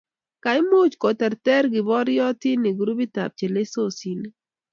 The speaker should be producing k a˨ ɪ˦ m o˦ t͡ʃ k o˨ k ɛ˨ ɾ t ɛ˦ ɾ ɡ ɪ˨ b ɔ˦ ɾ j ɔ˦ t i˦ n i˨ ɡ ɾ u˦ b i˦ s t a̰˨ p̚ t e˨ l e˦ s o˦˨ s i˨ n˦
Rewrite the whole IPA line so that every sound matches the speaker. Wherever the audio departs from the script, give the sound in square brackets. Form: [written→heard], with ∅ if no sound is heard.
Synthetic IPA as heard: k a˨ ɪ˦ m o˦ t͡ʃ k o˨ [k→t] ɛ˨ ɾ t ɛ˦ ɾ ɡ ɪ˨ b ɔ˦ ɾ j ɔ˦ t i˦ n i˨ ɡ ɾ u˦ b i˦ [s→∅] t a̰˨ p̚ [t→t͡ʃ] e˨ l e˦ s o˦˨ s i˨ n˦